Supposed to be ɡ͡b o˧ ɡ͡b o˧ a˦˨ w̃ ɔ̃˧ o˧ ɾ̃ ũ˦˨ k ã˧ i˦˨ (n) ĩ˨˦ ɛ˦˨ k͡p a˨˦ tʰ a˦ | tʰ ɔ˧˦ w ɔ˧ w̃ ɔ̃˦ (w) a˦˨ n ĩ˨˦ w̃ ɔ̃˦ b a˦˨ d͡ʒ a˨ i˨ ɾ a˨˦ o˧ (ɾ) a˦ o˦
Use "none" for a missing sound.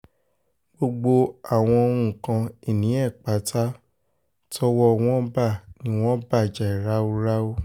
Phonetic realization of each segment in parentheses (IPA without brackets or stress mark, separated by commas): n, b, ɾ